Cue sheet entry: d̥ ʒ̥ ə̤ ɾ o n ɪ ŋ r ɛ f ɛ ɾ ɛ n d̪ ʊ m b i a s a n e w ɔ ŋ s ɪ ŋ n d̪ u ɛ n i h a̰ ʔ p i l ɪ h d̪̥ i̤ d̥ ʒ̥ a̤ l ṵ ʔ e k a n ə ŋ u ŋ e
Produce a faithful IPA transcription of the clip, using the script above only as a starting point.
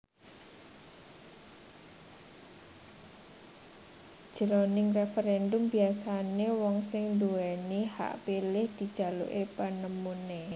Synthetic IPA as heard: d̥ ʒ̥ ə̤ ɾ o n ɪ ŋ r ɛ f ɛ ɾ ɛ n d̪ ʊ m b i a s a n e w ɔ ŋ s ɪ ŋ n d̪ u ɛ n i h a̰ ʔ p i l ɪ h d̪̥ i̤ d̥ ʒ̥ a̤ l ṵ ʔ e p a n ə m u n e